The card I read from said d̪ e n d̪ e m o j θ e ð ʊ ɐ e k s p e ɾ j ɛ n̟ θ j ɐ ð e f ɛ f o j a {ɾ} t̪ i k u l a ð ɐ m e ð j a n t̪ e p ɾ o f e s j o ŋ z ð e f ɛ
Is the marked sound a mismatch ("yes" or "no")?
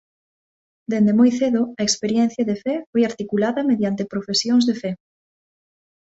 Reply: no